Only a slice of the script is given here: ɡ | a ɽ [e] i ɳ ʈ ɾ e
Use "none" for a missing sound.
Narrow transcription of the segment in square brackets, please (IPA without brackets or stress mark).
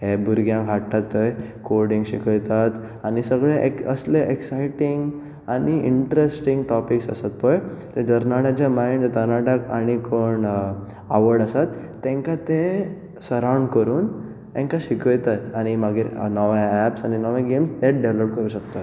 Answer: i